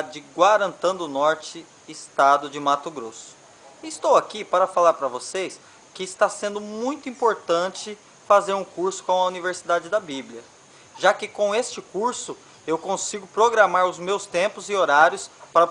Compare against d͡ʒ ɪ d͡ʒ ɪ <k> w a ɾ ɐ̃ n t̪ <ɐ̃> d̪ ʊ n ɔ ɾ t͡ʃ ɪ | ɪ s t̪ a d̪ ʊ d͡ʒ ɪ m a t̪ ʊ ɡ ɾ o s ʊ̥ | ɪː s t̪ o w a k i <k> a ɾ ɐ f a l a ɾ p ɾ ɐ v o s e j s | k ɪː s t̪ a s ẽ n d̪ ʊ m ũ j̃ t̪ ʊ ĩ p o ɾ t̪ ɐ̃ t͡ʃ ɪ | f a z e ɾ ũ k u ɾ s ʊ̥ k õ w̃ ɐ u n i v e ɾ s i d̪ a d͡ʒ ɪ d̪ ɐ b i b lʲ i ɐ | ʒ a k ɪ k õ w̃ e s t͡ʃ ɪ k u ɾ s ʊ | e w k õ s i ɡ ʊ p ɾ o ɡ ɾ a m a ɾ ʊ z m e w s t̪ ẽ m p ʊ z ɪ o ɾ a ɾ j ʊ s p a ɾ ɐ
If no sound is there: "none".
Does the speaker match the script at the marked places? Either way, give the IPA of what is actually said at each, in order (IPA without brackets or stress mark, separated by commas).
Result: ɡ, ɐ̃, p